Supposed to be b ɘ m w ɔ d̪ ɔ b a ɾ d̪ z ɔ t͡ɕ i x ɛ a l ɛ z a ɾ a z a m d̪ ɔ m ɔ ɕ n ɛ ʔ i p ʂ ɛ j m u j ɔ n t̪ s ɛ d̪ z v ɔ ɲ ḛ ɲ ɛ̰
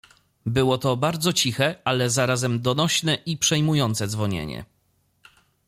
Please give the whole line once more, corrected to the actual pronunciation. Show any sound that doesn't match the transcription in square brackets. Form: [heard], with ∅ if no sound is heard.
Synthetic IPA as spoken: b ɘ [∅] w ɔ [t̪] ɔ b a ɾ d̪ z ɔ t͡ɕ i x ɛ a l ɛ z a ɾ a z [ɛ] m d̪ ɔ [n] ɔ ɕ n ɛ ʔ i p ʂ ɛ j m u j ɔ n t̪ s ɛ d̪ z v ɔ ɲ ḛ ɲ ɛ̰